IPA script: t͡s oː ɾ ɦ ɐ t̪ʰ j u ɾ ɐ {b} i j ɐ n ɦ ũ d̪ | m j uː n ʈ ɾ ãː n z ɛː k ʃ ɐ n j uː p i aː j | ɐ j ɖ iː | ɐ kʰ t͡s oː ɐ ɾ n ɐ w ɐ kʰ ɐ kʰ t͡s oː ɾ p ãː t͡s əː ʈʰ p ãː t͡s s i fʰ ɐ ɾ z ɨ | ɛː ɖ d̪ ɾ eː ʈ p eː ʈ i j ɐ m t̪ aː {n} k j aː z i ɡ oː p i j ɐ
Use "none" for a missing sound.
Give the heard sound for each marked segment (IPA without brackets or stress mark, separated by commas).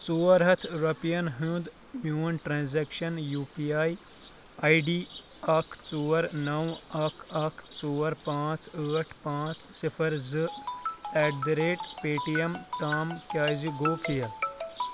p, m